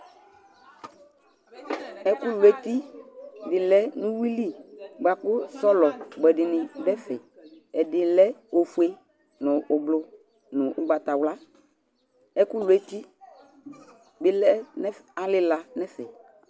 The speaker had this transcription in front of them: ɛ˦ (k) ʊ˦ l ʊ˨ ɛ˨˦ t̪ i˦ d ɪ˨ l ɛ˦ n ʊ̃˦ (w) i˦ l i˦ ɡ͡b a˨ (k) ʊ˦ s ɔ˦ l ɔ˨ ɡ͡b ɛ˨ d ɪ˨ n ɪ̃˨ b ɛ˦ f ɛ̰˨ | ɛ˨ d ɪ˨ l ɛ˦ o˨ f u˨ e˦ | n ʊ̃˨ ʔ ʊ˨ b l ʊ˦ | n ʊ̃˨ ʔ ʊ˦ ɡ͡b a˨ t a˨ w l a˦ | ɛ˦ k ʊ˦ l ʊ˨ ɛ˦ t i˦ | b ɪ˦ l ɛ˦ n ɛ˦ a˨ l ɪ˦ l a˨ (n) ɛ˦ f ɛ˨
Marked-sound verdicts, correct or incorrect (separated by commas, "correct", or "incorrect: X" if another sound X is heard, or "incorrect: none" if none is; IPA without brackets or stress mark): correct, correct, correct, correct